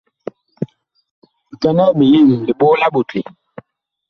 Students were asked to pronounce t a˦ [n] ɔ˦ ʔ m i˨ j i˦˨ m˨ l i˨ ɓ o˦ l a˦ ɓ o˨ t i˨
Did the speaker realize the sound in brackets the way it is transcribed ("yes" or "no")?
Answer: yes